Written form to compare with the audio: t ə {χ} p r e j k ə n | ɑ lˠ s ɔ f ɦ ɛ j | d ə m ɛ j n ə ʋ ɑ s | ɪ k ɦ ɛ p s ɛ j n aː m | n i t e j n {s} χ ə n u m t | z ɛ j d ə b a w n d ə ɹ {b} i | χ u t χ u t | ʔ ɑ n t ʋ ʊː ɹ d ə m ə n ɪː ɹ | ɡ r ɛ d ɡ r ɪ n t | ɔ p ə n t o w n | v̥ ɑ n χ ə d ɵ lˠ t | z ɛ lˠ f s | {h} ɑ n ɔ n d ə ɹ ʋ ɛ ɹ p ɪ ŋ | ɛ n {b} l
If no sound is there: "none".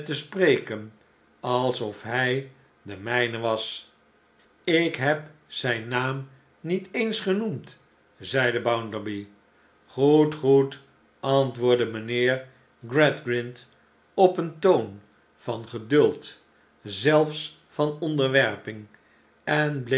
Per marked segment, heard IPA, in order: s, s, b, f, b

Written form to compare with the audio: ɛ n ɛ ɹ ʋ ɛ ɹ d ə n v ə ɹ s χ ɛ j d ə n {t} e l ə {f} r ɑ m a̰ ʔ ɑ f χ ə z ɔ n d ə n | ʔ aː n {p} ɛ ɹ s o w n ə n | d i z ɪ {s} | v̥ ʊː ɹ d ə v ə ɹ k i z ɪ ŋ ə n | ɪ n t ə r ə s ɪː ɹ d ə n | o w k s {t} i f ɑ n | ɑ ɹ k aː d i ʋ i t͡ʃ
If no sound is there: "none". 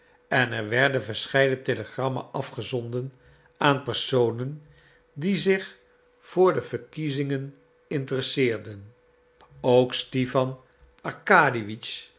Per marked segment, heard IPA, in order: t, χ, p, χ, t

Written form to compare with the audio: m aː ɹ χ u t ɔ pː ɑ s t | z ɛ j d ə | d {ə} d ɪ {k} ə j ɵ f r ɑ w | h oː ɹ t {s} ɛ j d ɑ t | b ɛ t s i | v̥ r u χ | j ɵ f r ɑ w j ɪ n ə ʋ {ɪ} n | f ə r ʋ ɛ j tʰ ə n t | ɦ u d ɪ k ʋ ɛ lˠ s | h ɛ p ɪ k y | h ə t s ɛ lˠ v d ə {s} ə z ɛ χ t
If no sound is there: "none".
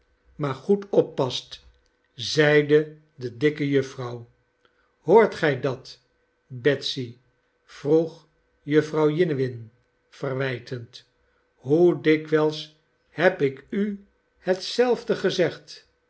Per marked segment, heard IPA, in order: ə, k, χ, ɪ, χ

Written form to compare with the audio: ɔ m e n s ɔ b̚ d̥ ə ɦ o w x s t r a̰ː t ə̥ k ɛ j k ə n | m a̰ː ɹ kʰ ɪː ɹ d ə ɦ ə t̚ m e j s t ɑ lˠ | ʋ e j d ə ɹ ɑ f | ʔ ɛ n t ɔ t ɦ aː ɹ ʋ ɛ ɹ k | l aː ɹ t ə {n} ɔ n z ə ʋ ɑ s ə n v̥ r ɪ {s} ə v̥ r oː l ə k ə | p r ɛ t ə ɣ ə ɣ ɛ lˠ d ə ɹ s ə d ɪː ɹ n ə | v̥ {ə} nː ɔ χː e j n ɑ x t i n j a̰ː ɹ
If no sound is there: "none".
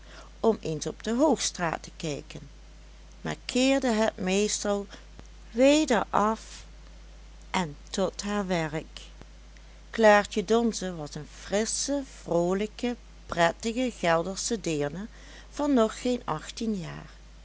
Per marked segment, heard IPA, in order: d, s, ɑ

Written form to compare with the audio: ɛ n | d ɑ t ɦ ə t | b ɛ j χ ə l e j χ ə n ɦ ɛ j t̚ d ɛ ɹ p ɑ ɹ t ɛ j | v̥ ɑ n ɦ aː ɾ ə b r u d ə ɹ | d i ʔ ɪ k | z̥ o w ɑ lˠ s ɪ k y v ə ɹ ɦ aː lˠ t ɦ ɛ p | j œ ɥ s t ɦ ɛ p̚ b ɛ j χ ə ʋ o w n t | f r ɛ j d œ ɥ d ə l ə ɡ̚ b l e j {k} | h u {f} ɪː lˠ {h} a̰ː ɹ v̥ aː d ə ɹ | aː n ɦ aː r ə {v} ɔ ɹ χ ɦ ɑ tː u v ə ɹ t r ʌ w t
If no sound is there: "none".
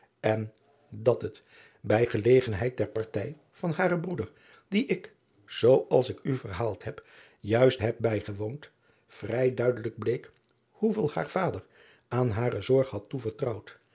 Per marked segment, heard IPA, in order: k, v, h, z

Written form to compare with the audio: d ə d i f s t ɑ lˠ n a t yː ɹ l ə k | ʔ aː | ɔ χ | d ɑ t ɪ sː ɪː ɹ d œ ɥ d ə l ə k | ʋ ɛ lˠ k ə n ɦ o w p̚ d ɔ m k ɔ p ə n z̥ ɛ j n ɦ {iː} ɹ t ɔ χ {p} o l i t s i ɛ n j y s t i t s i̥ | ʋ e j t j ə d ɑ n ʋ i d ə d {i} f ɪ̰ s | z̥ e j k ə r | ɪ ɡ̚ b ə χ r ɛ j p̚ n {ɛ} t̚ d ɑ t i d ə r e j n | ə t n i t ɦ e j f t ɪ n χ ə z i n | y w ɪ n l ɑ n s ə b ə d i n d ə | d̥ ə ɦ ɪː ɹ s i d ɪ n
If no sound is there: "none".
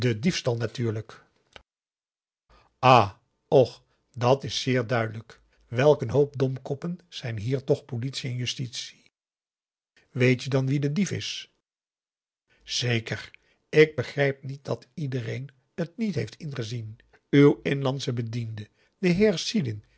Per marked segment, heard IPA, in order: iː, p, i, i

